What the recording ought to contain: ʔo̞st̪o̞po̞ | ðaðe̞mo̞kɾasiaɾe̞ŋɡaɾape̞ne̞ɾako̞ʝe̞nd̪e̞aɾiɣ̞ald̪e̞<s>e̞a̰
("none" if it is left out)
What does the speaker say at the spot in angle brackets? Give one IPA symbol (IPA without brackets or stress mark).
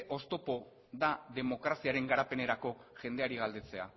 t͡s